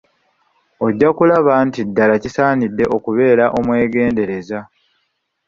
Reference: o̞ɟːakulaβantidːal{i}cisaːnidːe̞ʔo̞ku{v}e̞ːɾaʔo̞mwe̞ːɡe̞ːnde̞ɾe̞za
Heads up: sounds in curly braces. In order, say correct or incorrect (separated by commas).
incorrect, incorrect